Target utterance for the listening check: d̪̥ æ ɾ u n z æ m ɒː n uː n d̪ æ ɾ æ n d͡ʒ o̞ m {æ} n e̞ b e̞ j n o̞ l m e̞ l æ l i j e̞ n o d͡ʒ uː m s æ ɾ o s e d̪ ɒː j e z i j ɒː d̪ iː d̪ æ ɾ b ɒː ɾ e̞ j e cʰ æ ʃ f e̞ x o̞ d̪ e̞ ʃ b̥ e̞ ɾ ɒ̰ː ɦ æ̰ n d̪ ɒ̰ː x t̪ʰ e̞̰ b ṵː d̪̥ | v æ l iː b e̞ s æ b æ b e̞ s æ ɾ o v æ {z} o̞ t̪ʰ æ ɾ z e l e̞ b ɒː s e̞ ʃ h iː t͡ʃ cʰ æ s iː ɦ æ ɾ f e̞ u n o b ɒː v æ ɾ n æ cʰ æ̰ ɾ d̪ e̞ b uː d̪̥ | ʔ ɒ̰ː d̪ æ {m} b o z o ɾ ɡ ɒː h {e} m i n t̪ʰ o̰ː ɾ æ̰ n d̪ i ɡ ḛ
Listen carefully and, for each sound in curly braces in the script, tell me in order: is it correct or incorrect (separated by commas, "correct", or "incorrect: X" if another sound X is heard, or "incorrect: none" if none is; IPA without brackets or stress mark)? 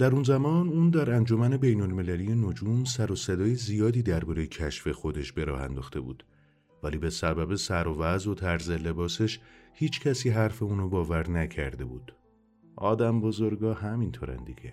correct, correct, correct, incorrect: æ